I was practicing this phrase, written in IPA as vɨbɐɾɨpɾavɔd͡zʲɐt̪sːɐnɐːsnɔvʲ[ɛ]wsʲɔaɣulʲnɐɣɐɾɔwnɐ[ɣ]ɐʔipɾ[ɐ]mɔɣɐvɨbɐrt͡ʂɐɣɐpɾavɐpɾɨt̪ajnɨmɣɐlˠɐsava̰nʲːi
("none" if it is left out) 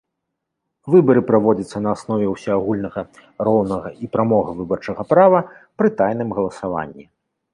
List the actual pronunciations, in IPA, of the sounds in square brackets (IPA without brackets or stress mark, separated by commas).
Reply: ɛ, ɣ, a